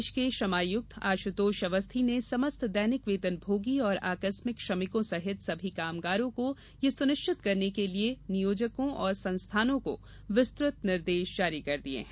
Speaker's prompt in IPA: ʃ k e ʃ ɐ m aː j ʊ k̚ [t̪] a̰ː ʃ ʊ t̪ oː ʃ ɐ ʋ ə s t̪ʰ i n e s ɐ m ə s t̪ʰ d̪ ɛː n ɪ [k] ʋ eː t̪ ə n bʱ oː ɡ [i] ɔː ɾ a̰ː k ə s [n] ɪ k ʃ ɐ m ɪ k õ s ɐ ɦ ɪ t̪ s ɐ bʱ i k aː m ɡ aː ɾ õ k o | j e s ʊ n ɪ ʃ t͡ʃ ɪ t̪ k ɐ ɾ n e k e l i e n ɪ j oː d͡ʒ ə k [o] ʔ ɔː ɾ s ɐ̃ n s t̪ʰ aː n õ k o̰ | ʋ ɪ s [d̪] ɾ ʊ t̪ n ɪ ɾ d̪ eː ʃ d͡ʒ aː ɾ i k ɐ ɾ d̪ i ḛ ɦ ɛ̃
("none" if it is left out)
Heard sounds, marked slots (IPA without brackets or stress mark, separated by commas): t̪ʰ, k, i, m, õ, t̪